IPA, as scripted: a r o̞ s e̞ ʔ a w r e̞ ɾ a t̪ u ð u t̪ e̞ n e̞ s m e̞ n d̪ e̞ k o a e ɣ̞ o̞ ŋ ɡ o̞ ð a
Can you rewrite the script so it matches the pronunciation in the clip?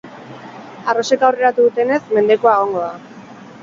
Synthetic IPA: a r o̞ s e̞ k a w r e̞ ɾ a t̪ u ð u t̪ e̞ n e̞ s m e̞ n d̪ e̞ k o a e ɣ̞ o̞ ŋ ɡ o̞ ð a